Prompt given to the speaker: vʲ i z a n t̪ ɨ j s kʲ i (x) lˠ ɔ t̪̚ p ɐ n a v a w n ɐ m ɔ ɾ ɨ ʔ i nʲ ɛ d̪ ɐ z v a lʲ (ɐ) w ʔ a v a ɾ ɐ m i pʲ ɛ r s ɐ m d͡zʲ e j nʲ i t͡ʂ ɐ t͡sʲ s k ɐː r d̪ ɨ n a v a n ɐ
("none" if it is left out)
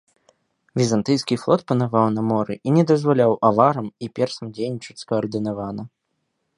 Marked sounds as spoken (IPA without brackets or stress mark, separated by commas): f, a